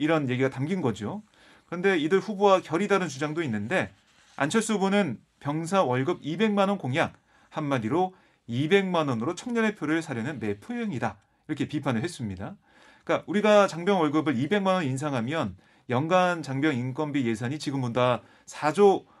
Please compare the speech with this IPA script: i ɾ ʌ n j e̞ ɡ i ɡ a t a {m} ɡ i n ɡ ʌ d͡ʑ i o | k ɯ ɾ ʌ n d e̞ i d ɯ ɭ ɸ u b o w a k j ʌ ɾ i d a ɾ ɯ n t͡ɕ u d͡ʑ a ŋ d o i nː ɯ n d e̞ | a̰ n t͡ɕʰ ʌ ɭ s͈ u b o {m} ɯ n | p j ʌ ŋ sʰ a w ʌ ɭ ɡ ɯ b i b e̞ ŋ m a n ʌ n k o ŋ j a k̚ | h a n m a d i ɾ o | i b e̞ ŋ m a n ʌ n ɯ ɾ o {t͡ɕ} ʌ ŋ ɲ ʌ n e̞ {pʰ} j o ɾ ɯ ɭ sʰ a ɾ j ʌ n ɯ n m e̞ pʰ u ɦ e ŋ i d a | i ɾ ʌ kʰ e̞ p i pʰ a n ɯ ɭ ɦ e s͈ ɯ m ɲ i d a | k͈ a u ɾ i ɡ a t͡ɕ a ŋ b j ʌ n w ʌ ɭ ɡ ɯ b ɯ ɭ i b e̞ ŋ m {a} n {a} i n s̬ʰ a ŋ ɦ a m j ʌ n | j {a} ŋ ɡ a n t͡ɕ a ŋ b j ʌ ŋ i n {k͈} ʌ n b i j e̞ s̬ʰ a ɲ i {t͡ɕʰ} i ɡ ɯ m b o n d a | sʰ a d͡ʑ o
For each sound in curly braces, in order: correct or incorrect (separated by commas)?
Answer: correct, incorrect, incorrect, correct, correct, incorrect, incorrect, correct, incorrect